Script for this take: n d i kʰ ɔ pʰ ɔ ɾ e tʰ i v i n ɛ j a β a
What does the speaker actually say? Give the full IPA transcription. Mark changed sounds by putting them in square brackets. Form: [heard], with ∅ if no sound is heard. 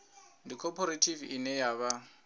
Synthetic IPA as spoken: n d i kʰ ɔ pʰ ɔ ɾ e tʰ i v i n ɛ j a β a